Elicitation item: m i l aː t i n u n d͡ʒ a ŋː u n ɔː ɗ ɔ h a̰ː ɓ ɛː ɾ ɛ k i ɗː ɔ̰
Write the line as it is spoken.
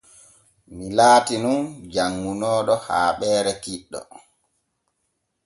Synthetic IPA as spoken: m i l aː t i n u n d͡ʒ a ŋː u n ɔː ɗ ɔ h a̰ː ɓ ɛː ɾ ɛ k i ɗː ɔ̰